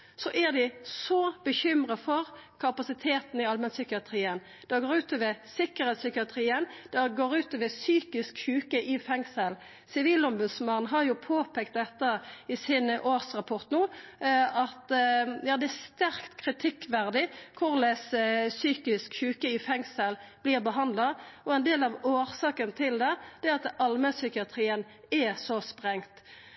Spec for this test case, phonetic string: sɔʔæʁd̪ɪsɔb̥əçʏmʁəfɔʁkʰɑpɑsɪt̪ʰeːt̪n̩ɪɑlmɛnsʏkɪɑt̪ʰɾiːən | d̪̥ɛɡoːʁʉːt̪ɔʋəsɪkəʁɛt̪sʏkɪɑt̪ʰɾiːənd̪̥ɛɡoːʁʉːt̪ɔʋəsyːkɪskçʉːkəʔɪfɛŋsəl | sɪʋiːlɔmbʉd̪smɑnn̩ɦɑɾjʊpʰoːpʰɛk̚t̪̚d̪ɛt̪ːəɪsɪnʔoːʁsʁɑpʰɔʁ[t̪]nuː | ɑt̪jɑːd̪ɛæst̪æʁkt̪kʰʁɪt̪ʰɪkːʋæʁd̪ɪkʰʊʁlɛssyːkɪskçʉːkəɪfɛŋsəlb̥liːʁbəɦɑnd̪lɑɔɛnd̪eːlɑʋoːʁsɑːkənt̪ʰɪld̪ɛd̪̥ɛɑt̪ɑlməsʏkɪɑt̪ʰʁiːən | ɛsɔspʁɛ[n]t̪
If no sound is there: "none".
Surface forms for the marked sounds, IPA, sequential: t̪, ŋ

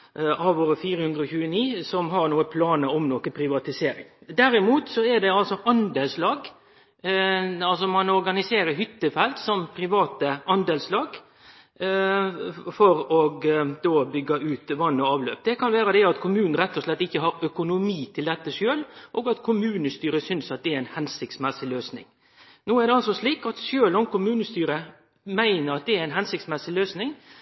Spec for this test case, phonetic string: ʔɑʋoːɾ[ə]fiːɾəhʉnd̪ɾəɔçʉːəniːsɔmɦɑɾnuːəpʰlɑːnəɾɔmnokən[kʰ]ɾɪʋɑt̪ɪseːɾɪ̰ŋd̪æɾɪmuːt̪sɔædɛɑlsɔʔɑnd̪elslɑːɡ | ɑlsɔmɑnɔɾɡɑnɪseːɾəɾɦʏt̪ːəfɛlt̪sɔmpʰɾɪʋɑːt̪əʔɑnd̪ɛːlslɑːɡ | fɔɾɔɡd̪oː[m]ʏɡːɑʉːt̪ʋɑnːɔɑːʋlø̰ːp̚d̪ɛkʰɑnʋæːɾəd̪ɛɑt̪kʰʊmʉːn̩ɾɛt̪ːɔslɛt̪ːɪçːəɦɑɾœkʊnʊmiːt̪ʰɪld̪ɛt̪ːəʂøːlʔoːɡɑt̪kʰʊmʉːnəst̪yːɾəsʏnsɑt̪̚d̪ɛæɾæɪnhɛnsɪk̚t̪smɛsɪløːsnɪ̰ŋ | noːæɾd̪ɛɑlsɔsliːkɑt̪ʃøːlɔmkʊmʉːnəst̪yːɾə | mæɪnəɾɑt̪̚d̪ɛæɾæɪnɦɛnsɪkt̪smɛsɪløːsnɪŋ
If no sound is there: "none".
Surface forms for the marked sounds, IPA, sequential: ə, pʰ, b

